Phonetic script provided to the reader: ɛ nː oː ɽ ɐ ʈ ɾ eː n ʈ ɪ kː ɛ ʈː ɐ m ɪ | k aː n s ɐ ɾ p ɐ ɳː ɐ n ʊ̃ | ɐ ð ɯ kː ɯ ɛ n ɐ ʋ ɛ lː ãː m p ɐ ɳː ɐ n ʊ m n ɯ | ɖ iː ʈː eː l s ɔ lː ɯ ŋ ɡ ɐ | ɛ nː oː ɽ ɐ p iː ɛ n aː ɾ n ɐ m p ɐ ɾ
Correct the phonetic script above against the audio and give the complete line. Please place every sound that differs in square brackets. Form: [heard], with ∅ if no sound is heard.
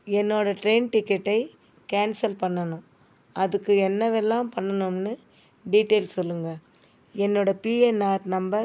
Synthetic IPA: ɛ nː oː ɽ ɐ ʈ ɾ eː n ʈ ɪ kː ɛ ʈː ɐ [∅] ɪ | k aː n s ɐ [l] p ɐ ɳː ɐ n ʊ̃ | ɐ ð ɯ kː ɯ ɛ [nː] ɐ ʋ ɛ lː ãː m p ɐ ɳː ɐ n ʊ m n ɯ | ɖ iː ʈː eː l s ɔ lː ɯ ŋ ɡ ɐ | ɛ nː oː ɽ ɐ p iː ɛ n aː ɾ n ɐ m [b] ɐ ɾ